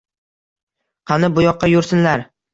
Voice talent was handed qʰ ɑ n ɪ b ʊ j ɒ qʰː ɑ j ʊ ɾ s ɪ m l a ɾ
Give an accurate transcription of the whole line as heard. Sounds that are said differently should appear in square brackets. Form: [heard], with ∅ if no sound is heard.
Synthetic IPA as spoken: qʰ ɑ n ɪ b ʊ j ɒ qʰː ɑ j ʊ ɾ s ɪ [n] l a ɾ